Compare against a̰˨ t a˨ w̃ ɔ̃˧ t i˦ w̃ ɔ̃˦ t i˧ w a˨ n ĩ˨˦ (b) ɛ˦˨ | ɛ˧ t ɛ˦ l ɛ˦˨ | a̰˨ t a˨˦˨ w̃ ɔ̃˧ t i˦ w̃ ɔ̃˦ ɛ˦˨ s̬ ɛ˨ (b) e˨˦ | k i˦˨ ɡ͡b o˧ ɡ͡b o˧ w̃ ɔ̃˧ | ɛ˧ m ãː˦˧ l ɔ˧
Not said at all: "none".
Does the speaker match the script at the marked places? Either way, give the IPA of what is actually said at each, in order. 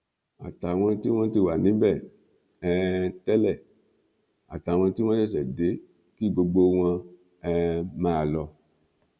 b, d

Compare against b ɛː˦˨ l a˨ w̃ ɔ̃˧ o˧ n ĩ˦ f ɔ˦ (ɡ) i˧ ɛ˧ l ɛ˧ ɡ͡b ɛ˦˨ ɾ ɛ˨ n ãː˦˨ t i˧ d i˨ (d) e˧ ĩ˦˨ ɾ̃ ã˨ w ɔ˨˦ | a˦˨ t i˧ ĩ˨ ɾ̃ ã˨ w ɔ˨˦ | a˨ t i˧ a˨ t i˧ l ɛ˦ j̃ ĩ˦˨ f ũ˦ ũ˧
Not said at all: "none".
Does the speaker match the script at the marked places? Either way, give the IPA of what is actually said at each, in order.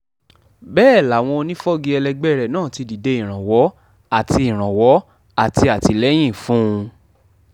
ɡ, d

